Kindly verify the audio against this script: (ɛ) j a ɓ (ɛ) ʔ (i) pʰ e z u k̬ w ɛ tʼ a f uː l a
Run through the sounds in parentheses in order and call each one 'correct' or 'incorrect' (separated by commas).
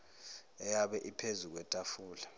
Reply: correct, correct, correct